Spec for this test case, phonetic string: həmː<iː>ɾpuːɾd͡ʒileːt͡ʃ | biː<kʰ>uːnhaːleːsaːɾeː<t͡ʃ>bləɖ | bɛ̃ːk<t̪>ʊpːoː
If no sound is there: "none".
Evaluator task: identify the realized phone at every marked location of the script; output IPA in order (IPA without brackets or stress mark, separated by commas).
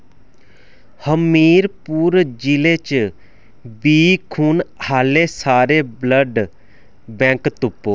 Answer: iː, kʰ, none, t̪